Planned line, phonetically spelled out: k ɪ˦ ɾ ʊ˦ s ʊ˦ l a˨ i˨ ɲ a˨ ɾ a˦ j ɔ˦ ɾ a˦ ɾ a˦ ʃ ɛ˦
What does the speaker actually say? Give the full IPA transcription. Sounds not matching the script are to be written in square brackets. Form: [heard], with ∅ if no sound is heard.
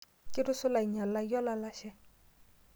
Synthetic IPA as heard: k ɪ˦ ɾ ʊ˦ s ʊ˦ l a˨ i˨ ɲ a˨ [l] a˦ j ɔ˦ [l] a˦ [l] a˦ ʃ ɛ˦